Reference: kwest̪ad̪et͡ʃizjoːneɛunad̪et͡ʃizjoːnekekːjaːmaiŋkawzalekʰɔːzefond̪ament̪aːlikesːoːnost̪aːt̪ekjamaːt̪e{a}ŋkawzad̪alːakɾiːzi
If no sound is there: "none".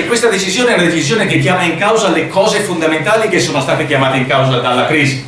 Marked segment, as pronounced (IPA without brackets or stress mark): i